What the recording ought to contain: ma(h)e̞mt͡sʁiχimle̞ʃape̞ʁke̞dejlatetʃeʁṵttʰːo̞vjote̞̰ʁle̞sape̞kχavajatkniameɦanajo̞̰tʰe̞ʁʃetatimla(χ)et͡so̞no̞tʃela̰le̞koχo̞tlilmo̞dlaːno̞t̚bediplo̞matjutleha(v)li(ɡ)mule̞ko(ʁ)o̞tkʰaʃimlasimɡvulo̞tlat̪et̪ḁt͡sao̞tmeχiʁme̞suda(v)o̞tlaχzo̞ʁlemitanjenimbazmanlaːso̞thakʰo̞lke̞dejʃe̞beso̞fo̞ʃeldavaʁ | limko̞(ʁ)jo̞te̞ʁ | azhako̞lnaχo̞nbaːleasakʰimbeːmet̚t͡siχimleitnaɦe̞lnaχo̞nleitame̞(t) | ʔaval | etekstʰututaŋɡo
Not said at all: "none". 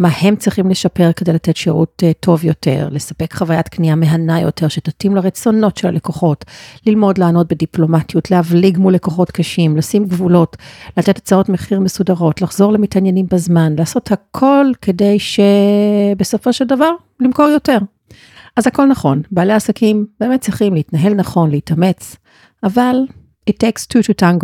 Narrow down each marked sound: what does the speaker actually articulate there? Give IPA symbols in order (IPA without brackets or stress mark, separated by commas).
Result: h, ʁ, v, ɡ, χ, ʁ, ʁ, t͡s